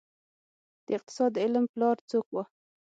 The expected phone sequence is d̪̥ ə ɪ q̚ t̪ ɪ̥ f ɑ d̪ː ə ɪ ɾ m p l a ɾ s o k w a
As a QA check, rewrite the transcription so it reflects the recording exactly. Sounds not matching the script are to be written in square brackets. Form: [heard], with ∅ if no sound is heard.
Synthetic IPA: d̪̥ ə ɪ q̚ t̪ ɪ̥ [s] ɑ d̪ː ə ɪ [l] m p l [ɑ] ɾ [t͡s] o k w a